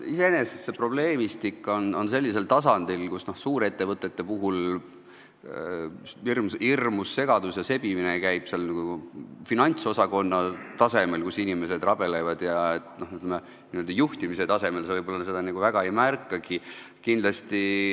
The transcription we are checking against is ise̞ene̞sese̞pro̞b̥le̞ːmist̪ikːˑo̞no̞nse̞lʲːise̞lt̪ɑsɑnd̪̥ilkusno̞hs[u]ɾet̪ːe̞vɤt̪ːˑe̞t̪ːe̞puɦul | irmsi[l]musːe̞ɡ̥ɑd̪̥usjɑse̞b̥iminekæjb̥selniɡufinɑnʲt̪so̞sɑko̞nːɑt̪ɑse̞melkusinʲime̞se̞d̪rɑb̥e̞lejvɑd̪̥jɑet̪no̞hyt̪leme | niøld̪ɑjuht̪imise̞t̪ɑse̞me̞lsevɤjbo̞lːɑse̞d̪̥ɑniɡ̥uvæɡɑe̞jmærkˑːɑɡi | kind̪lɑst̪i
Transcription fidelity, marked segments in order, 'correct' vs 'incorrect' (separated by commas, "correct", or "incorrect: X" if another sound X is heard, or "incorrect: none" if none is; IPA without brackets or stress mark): incorrect: uː, incorrect: r